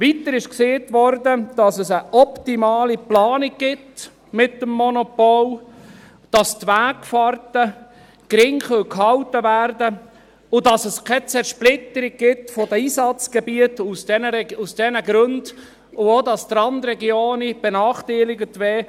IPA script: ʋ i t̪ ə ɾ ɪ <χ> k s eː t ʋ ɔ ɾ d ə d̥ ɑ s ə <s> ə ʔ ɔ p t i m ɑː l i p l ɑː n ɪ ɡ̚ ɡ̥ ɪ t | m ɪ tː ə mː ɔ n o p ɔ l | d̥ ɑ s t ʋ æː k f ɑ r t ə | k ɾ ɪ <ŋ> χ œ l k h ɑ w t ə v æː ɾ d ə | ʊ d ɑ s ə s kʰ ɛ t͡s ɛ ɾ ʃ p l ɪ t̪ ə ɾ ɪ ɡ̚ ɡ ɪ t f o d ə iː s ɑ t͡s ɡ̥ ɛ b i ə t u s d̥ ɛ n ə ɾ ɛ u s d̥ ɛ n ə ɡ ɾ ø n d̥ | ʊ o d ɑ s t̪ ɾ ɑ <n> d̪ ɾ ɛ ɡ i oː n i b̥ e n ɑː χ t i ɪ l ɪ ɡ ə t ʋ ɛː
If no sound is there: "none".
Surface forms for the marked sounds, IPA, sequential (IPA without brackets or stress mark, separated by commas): ʃ, s, ŋ, n